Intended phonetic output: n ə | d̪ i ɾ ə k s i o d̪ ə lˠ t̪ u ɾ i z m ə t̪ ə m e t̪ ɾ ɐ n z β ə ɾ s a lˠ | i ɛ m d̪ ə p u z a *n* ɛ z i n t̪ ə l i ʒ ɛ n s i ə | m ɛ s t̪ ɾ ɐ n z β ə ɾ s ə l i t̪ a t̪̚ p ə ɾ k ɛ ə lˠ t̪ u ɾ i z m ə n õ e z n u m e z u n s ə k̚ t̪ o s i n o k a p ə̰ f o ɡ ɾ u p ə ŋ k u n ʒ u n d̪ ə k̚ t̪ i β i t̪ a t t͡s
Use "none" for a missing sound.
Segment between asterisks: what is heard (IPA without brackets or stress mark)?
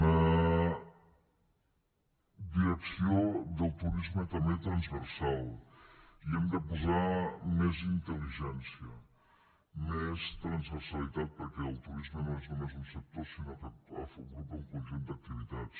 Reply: m